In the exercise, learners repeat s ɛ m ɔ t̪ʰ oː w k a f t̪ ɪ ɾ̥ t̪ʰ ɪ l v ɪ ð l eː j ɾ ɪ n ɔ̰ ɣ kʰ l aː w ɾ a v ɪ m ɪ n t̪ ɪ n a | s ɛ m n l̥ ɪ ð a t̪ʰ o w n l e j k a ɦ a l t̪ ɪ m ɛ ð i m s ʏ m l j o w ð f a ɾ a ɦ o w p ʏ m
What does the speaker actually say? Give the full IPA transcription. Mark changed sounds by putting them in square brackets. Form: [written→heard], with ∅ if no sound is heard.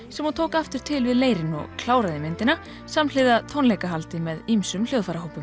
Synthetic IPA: s ɛ m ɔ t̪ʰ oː w k a f t̪ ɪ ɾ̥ t̪ʰ ɪ l v ɪ ð l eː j ɾ ɪ n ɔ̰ ɣ kʰ l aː w ɾ a [v→ð] ɪ m ɪ n t̪ ɪ n a | s [ɛ→a] m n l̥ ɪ ð a t̪ʰ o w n l e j k a ɦ a l t̪ ɪ m ɛ ð i m s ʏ m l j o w ð f a ɾ a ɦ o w p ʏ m